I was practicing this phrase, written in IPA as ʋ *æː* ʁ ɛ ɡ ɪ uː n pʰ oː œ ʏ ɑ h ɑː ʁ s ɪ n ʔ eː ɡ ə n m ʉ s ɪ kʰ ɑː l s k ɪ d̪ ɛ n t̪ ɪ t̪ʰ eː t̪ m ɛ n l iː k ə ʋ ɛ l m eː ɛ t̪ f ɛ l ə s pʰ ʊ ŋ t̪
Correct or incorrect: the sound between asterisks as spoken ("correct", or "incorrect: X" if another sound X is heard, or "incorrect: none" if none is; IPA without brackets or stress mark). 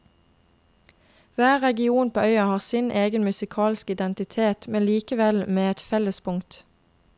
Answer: correct